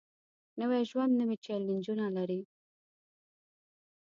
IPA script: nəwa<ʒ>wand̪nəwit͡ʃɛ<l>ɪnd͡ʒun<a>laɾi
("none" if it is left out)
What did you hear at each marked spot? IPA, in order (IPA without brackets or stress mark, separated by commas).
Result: ʒ, l, a